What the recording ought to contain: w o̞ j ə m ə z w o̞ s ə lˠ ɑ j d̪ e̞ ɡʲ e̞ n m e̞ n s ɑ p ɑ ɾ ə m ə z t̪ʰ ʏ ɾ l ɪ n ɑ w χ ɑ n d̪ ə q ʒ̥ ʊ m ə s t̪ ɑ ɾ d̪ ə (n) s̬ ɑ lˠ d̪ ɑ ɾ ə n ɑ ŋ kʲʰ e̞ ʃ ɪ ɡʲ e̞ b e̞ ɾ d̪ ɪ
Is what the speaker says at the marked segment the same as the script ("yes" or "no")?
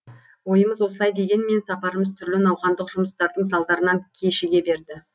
no